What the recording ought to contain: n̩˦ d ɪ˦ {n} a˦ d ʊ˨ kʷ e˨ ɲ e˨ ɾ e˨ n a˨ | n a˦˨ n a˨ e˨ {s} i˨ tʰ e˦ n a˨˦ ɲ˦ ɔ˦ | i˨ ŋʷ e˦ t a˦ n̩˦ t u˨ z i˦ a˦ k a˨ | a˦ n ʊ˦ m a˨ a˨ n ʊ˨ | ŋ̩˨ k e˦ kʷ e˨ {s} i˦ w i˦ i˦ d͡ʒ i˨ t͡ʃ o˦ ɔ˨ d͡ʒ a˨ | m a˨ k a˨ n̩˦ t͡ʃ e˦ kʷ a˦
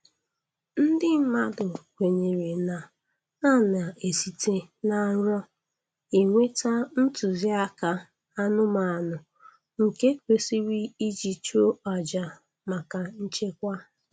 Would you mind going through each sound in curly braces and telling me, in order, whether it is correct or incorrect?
incorrect: m, correct, correct

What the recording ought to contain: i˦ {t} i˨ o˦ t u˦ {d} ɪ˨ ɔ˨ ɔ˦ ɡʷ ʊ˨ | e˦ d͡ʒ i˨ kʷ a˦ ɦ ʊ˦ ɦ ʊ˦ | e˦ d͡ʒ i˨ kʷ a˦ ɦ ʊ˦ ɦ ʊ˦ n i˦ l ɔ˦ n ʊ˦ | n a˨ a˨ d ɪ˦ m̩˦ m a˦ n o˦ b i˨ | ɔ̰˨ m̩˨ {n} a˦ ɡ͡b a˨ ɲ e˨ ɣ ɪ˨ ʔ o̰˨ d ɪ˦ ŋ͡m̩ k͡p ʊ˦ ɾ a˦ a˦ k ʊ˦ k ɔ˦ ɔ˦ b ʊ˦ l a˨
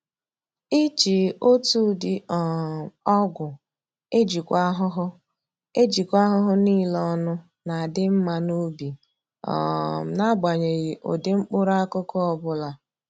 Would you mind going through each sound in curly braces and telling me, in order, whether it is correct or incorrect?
incorrect: t͡ʃ, correct, correct

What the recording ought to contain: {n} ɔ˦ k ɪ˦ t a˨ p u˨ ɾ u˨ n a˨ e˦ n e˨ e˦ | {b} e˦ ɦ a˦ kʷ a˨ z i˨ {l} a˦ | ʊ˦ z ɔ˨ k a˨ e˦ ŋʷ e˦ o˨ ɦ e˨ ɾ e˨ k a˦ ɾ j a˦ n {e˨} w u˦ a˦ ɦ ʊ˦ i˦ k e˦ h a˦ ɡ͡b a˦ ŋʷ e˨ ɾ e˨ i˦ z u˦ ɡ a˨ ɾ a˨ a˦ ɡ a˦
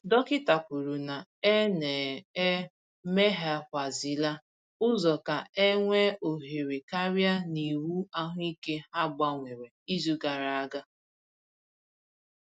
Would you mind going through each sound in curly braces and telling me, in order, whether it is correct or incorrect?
incorrect: d, incorrect: m, correct, incorrect: i˨

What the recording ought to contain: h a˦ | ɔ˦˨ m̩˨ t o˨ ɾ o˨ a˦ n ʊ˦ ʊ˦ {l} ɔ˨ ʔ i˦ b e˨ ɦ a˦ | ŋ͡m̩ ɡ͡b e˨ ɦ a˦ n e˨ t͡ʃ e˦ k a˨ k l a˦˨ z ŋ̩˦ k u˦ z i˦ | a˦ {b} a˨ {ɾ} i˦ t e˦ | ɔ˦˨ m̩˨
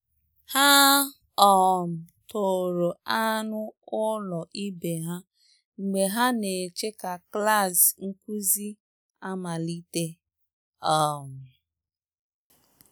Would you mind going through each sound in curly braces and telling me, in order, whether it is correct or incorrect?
correct, incorrect: m, incorrect: l

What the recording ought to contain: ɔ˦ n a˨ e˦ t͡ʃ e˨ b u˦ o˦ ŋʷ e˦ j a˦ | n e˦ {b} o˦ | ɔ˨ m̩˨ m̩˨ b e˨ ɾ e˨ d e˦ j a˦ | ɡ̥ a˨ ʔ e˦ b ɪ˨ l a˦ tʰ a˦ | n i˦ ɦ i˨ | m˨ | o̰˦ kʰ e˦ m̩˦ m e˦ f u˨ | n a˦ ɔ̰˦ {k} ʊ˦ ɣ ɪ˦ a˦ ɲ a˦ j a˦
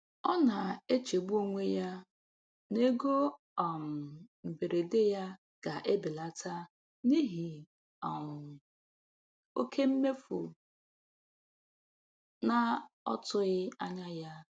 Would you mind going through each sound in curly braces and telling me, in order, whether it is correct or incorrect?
incorrect: ɡ, incorrect: t

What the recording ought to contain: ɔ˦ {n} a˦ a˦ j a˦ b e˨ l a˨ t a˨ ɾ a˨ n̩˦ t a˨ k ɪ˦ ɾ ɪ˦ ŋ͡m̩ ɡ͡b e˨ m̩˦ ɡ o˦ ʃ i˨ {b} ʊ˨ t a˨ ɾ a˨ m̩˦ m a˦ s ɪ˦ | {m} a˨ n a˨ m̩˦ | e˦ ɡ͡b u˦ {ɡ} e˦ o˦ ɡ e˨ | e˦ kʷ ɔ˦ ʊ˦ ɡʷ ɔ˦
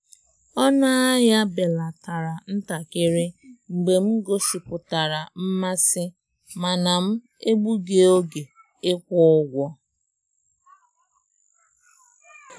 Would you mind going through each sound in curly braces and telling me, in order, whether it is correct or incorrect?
correct, incorrect: p, correct, correct

